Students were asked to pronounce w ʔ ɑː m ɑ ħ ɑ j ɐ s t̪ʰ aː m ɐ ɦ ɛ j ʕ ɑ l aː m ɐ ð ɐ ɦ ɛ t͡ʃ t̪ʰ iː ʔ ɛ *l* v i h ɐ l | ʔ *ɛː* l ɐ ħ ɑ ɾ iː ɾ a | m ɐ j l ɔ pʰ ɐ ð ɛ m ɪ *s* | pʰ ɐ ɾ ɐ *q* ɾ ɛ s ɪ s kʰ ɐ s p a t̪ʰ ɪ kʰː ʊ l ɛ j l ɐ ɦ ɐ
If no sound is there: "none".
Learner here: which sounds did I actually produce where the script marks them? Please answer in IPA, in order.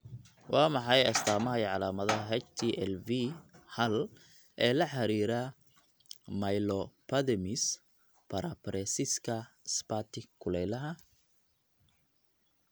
l, ɛː, s, p

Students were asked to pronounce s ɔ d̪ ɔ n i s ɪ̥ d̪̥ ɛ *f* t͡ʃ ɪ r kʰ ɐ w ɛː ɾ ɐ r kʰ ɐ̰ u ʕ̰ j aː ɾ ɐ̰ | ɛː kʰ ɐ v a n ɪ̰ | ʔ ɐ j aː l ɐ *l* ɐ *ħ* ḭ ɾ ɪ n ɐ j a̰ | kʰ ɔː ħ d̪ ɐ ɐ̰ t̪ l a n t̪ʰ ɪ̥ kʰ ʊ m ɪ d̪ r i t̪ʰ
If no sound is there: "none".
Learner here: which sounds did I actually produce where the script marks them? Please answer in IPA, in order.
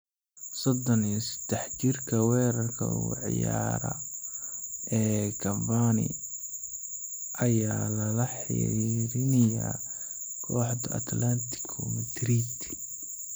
ħ, l, ħ

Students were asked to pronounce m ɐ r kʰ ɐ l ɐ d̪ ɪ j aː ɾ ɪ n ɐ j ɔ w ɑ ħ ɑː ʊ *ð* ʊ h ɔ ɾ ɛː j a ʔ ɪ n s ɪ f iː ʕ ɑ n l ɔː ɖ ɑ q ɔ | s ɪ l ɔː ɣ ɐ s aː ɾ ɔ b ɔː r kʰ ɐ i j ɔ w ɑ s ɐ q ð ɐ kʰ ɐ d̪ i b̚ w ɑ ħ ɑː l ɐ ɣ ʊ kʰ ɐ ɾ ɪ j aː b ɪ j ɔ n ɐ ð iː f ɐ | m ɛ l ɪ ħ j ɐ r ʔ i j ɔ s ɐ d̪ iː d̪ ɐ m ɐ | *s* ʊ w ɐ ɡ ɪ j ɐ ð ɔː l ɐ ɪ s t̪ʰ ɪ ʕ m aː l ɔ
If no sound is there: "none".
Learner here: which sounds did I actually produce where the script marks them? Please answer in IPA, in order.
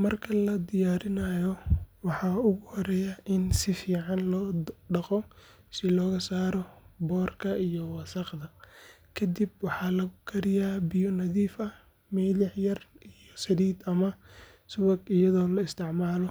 ɣ, s

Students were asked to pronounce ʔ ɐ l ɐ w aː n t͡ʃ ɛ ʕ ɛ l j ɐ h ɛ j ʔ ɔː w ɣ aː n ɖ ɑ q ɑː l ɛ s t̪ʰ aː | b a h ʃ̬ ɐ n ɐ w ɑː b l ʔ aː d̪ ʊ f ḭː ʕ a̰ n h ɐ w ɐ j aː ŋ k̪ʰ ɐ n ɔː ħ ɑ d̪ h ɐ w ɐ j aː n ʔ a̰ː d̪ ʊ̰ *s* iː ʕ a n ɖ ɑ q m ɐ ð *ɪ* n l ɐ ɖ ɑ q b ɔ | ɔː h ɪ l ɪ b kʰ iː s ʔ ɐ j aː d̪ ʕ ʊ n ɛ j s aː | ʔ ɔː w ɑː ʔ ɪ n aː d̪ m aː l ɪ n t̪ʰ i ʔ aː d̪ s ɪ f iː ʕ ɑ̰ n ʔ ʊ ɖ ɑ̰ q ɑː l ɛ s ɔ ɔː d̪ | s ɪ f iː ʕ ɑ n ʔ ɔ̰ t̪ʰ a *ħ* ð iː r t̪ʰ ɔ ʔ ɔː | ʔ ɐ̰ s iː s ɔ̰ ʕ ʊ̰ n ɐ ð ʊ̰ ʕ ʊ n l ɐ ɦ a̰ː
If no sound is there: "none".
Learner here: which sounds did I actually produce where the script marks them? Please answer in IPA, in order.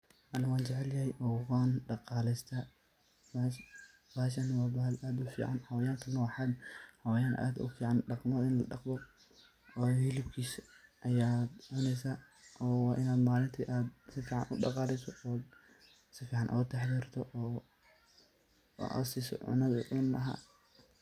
f, ɪ, ħ

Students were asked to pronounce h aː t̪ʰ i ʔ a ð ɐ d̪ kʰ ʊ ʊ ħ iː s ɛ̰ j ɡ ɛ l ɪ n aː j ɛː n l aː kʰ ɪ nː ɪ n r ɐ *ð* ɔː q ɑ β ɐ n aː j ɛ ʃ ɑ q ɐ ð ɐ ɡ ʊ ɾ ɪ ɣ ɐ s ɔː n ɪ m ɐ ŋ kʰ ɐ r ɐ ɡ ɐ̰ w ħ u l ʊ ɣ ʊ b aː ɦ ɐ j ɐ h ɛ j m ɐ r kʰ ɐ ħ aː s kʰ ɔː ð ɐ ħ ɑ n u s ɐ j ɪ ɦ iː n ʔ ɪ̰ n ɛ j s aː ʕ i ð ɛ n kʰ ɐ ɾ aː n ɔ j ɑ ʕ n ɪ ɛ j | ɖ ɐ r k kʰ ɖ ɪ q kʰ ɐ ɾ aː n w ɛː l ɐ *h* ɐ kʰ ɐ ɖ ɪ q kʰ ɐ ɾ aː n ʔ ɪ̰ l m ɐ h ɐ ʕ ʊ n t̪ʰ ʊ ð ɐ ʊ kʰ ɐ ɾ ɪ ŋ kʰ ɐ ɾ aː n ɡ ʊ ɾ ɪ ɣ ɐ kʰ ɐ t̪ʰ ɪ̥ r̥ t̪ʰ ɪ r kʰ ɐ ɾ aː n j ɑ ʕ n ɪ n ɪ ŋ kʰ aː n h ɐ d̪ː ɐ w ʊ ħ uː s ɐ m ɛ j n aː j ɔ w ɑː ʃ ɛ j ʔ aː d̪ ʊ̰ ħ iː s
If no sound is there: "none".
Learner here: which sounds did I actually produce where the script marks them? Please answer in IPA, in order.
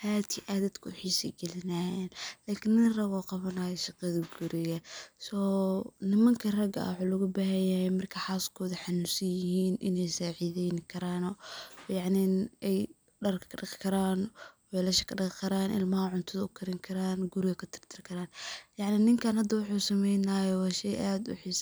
ɣ, ʃ

